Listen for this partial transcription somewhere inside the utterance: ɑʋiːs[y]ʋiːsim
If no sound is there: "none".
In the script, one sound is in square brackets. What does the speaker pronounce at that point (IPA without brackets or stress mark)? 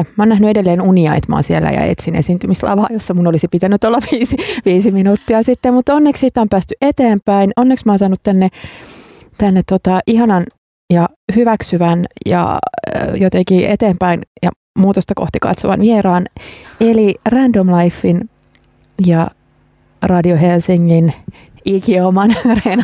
i